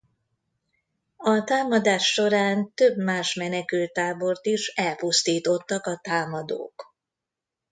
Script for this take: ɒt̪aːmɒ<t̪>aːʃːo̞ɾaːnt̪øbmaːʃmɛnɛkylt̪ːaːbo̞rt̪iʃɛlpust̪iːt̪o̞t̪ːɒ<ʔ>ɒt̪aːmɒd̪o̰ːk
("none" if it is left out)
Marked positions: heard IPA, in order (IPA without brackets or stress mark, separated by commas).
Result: d̪, k